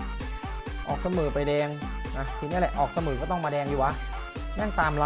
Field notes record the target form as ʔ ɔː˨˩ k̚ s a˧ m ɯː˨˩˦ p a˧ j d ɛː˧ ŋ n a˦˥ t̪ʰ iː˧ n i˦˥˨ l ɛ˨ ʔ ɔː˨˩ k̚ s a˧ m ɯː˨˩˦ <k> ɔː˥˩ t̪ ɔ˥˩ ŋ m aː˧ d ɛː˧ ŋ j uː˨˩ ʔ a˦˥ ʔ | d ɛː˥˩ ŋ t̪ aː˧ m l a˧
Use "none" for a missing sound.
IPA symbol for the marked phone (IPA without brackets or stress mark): k